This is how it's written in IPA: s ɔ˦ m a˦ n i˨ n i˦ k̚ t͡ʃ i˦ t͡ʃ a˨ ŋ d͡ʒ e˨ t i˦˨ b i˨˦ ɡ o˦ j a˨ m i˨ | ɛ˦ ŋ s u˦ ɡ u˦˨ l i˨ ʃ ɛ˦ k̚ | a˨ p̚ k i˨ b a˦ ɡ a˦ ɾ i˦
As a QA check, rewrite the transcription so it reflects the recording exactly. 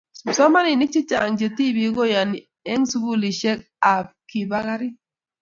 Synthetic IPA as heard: s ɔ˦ m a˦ n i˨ n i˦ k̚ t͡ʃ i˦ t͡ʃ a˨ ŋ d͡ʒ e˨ t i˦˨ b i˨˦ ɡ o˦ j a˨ n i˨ | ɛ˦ ŋ s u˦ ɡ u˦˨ l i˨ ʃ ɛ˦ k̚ | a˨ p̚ k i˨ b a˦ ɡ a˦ ɾ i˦